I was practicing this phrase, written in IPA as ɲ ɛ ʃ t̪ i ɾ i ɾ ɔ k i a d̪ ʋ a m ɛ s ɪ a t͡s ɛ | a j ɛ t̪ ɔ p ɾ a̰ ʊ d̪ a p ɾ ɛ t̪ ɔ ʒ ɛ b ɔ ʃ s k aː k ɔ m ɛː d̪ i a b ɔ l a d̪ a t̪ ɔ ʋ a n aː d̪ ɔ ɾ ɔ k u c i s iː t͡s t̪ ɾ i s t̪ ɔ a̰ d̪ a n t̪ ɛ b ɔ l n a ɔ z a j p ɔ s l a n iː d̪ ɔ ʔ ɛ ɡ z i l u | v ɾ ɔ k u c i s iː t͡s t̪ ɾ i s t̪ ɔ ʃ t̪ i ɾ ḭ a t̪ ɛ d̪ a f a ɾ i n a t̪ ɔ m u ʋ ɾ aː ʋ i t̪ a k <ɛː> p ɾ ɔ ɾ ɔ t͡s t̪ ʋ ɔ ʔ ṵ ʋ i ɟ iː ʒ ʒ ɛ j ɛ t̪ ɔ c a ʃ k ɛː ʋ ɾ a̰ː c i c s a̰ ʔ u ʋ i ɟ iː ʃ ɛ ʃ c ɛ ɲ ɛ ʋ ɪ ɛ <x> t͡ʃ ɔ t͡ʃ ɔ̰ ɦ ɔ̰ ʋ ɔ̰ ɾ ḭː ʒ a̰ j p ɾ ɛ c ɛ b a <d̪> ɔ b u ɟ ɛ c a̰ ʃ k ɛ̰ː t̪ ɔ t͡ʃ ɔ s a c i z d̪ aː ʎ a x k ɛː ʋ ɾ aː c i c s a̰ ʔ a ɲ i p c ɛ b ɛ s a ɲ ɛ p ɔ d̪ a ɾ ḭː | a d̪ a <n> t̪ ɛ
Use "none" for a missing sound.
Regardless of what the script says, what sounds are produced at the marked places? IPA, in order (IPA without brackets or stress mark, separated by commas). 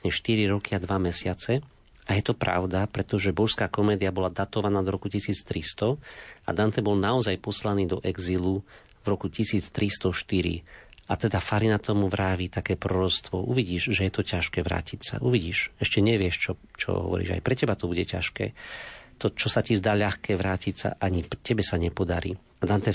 ɛː, ʃ, t̪, n